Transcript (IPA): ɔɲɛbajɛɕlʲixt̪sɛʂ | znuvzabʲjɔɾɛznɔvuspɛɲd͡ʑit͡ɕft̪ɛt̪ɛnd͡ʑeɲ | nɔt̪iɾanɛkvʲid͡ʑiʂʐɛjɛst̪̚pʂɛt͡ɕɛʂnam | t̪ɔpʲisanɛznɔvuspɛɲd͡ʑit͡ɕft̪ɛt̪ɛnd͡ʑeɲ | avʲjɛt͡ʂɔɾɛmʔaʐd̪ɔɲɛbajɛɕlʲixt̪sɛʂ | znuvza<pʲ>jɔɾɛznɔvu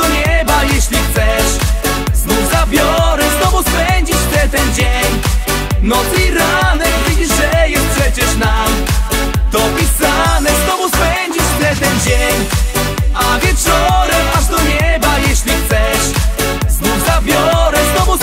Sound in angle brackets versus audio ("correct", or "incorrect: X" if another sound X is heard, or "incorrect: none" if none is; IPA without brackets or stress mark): incorrect: bʲ